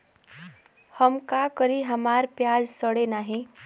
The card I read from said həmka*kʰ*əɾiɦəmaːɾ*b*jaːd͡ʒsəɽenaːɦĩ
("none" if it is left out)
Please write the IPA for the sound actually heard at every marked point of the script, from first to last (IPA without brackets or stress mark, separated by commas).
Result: k, p